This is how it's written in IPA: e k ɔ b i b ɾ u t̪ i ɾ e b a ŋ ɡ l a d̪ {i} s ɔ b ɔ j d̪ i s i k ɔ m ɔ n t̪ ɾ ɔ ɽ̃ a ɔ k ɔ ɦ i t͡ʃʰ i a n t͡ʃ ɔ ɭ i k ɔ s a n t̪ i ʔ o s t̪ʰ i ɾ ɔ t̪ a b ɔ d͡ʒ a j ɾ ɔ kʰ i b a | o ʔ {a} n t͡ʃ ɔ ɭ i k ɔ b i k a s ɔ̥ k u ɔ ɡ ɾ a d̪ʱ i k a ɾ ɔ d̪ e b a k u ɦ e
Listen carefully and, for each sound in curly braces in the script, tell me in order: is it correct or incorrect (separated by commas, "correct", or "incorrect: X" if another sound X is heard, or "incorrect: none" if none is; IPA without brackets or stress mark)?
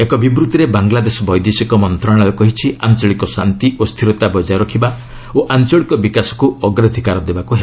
incorrect: e, correct